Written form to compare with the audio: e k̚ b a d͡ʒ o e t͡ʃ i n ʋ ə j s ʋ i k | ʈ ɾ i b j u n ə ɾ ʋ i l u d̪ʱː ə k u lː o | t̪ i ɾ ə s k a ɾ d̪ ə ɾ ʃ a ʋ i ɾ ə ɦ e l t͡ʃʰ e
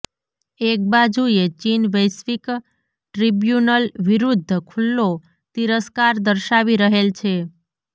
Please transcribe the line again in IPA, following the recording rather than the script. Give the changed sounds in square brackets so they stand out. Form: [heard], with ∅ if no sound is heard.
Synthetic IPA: e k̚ b a d͡ʒ [u] e t͡ʃ i n ʋ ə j s ʋ i k | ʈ ɾ i b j u n ə [l] ʋ i [ɾ] u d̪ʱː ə [kʰ] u lː o | t̪ i ɾ ə s k a ɾ d̪ ə ɾ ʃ a ʋ i ɾ ə ɦ e l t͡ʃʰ e